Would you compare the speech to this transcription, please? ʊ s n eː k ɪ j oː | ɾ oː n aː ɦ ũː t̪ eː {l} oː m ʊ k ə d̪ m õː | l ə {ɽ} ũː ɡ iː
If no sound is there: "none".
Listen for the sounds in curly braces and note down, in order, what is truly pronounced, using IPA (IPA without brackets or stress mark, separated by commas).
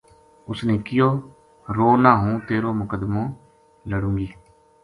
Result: ɾ, ɽ